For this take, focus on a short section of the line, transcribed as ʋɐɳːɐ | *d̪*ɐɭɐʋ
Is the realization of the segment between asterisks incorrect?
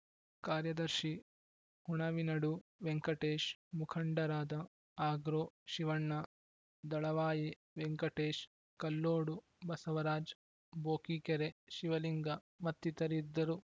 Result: no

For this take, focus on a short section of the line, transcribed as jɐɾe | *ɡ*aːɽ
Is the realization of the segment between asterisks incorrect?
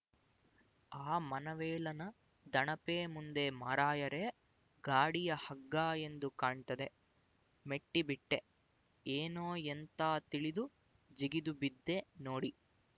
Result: no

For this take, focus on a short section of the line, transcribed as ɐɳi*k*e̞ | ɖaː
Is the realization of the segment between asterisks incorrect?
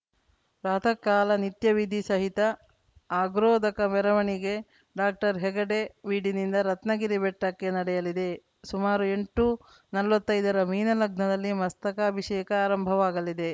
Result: yes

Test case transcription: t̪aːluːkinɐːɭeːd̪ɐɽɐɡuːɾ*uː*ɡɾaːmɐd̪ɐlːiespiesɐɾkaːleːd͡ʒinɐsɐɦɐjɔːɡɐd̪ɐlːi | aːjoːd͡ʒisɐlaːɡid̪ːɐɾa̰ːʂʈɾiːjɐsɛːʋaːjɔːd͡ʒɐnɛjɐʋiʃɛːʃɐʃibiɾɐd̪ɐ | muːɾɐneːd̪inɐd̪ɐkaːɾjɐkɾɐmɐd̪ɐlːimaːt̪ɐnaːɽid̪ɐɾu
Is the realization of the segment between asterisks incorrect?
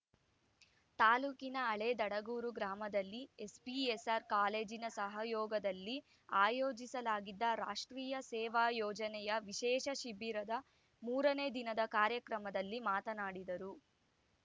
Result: yes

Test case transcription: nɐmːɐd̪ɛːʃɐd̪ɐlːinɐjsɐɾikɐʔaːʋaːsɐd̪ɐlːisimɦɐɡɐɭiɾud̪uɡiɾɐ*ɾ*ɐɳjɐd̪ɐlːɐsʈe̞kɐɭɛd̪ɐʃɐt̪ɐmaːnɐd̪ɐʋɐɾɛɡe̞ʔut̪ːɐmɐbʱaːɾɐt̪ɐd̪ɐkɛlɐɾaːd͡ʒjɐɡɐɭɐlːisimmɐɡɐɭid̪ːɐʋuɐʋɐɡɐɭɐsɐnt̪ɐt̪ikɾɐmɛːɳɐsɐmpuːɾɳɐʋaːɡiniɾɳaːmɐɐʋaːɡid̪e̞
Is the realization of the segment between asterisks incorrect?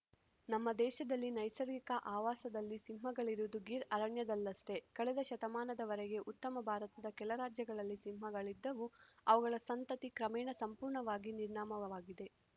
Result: no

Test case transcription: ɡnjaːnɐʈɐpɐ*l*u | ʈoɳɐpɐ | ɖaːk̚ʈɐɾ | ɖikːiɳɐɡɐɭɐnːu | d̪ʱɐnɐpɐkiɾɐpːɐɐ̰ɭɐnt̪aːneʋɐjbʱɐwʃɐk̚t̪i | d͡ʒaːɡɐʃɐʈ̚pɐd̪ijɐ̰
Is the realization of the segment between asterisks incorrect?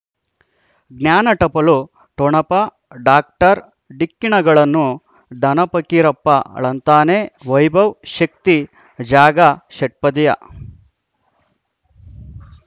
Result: no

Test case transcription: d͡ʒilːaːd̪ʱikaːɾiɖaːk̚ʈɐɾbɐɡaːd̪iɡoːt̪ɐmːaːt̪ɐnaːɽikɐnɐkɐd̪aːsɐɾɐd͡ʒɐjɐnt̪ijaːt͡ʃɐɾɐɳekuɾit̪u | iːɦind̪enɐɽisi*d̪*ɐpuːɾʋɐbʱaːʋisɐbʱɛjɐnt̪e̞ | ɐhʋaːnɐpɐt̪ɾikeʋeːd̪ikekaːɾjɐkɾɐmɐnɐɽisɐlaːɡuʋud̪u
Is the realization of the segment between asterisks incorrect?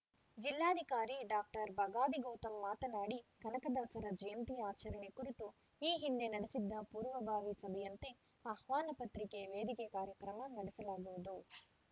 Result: yes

